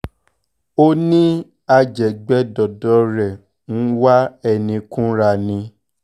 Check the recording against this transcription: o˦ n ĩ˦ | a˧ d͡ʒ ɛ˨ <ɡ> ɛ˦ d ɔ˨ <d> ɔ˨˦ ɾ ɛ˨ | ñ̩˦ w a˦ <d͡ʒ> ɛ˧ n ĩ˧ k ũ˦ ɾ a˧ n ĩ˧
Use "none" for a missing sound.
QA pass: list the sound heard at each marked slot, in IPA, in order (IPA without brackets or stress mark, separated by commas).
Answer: ɡ͡b, d, none